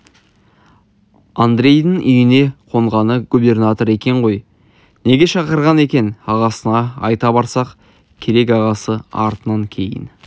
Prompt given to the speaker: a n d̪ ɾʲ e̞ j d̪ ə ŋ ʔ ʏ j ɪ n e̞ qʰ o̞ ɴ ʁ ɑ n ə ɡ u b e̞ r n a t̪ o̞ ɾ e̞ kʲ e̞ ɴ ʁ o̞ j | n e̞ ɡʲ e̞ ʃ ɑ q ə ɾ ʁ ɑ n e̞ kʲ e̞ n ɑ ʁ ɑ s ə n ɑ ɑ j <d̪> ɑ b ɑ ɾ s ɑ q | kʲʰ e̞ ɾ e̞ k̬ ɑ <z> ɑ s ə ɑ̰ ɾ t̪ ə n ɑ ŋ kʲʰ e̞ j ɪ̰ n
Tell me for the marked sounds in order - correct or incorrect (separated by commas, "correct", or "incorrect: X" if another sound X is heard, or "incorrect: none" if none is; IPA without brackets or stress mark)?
incorrect: t̪, incorrect: ʁ